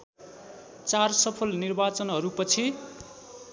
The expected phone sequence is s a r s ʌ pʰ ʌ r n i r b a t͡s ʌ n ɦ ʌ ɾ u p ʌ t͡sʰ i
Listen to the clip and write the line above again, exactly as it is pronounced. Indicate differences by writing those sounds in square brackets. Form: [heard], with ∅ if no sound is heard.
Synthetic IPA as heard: [t͡s] a r s ʌ pʰ ʌ [l] n i r b a t͡s ʌ n ɦ ʌ ɾ u p ʌ t͡sʰ i